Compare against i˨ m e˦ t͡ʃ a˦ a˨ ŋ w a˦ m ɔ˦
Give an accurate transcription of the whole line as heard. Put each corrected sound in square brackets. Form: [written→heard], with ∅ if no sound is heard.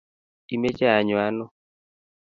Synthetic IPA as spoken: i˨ m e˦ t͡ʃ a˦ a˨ [ŋ→ɲ] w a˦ [m→n] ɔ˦

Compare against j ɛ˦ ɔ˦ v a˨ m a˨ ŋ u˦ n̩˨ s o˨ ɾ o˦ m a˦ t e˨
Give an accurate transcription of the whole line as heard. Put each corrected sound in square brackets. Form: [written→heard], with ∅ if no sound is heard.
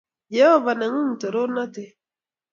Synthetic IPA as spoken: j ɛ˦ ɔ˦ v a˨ [m→n] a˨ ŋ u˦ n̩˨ [s→t] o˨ ɾ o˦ [m→n] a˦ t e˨

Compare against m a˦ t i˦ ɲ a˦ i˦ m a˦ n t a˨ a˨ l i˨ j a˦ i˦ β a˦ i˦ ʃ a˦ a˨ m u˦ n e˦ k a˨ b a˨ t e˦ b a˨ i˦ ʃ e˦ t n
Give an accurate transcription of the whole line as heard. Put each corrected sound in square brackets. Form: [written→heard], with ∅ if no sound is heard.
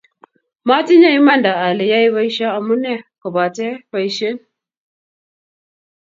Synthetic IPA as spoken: m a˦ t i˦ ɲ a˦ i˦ m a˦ n [t→d] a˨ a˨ l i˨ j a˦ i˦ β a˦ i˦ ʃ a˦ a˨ m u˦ n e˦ k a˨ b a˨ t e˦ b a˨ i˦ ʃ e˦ [t→∅] n

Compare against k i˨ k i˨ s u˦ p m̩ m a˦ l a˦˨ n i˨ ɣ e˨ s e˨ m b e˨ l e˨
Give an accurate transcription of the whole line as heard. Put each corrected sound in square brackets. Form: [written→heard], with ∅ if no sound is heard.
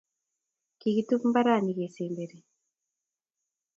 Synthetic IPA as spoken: k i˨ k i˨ [s→t] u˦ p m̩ [m→b] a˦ [l→ɾ] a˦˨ n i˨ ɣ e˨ s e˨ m b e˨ [l→ɾ] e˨

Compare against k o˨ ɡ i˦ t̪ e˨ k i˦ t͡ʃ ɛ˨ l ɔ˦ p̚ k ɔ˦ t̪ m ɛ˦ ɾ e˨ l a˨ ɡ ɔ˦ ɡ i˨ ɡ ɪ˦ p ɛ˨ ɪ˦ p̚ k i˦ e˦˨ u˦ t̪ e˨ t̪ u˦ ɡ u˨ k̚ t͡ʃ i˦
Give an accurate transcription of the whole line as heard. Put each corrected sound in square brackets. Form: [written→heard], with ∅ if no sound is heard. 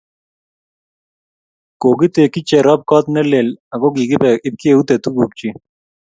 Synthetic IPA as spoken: k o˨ ɡ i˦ t̪ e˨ k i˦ t͡ʃ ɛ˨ [l→ɾ] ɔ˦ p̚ k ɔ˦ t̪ [m→n] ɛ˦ [ɾ→l] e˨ l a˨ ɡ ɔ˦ ɡ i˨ ɡ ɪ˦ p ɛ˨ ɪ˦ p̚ k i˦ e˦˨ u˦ t̪ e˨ t̪ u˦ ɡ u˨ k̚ t͡ʃ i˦

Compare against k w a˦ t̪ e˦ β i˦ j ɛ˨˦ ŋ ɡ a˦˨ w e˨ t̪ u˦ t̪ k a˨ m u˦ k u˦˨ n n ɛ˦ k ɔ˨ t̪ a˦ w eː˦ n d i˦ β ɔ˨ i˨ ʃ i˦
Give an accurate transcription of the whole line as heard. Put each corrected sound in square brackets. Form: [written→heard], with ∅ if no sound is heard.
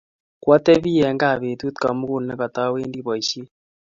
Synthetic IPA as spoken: k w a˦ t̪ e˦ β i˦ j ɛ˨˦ ŋ ɡ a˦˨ [w→β] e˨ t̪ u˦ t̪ k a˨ m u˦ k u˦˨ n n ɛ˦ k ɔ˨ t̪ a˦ w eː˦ n d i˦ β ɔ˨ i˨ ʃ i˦

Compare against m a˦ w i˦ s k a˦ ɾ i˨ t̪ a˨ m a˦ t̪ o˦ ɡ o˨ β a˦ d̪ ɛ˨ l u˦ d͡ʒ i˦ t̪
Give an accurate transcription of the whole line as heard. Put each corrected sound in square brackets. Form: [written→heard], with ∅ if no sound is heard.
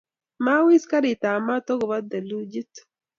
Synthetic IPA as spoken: m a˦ w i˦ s k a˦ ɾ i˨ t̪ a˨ m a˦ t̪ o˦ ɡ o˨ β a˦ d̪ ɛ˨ l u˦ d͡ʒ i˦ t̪

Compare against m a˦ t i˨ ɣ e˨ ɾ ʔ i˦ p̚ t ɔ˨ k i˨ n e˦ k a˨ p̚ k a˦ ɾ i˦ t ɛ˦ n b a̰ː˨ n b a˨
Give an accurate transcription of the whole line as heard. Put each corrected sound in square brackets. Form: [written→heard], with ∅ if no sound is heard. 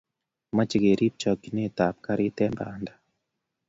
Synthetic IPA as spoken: m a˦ [t→t͡ʃ] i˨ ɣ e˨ ɾ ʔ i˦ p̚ [t→t͡ʃ] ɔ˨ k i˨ n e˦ [k→t] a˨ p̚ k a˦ ɾ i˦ t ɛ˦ [n→m] b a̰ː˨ n [b→d] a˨

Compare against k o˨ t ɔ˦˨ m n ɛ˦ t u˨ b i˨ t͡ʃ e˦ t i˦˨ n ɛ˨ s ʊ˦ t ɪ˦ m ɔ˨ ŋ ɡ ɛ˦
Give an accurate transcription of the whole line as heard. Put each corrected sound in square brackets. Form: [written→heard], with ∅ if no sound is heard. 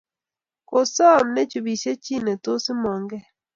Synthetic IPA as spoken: k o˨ [t→s] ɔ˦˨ m n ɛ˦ [t→t͡ʃ] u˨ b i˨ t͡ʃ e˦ [t→t͡ʃ] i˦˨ n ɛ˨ [s→t] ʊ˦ [t→s] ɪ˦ m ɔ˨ ŋ ɡ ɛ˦

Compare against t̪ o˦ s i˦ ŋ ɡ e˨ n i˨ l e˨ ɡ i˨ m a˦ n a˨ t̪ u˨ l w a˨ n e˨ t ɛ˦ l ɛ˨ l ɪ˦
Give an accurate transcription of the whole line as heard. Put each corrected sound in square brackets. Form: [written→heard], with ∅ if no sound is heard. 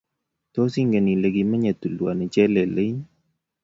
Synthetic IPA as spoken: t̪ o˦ s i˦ ŋ ɡ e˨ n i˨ l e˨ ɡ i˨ m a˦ [n→ɲ] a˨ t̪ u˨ l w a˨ n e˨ [t→t͡ʃ] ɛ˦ l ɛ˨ l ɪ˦

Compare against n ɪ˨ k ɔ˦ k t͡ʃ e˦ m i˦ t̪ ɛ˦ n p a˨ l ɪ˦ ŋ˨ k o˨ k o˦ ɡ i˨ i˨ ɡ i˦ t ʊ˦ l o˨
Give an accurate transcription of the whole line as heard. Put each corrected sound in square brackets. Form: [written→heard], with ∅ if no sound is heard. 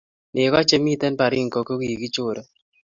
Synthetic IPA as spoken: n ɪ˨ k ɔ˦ [k→∅] t͡ʃ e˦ m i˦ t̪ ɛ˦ n p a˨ [l→ɾ] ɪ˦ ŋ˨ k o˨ k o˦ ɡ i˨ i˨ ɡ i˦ [t→t͡ʃ] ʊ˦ [l→ɾ] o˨

